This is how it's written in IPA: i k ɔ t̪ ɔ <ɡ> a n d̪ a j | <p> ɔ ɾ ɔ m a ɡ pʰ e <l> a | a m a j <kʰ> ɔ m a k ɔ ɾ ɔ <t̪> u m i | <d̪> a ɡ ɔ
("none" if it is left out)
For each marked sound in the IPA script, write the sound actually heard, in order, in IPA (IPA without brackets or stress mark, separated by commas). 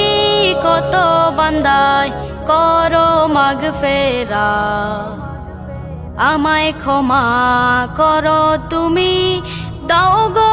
b, k, ɾ, kʰ, t̪, d̪